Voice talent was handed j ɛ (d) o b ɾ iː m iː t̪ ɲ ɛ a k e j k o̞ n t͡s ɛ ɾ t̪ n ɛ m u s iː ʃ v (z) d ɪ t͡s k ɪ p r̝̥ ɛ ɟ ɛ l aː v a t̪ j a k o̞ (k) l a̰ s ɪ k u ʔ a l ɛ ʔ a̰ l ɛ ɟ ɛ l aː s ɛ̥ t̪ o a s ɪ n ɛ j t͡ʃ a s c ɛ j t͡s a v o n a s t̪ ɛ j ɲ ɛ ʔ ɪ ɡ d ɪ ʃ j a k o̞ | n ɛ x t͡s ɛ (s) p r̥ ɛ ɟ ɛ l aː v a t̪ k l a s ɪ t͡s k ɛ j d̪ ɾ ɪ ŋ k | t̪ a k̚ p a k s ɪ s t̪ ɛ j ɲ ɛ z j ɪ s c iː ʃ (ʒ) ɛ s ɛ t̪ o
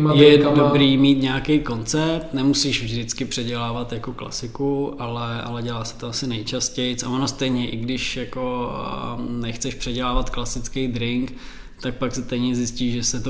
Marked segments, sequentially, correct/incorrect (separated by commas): correct, incorrect, correct, incorrect, correct